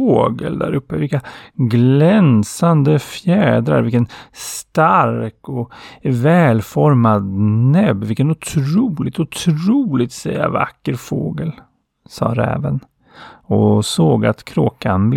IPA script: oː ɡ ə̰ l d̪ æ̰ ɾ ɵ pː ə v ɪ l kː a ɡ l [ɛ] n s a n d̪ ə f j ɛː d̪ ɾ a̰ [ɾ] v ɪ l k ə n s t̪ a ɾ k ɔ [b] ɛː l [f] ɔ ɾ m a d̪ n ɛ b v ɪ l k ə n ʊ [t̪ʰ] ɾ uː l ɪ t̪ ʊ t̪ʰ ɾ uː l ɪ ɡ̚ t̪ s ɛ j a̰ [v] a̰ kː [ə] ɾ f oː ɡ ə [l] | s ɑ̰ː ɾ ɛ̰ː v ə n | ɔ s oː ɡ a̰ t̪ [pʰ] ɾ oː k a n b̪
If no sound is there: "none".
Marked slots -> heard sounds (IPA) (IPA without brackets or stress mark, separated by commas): ɛ, ɾ, v, f, t̪ʰ, v, ə, l, kʰ